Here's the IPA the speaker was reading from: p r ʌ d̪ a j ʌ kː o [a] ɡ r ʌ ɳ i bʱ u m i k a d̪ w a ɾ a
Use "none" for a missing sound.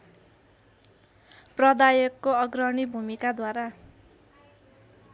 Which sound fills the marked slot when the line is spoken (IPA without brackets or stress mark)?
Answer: ʌ